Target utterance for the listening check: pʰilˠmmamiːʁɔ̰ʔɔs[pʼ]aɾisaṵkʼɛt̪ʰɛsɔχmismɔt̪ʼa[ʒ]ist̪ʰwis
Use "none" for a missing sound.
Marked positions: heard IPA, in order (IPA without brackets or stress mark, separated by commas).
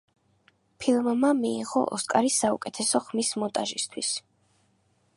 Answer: kʼ, ʒ